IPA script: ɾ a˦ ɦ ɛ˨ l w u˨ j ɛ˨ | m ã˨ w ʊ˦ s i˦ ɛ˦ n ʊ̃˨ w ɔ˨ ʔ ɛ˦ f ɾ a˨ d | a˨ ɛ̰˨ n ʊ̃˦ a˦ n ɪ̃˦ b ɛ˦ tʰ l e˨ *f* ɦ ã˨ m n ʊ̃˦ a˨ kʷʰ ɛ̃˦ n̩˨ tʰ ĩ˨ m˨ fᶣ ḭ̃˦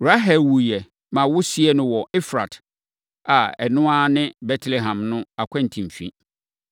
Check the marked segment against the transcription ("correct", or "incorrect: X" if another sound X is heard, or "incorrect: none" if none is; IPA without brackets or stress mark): incorrect: none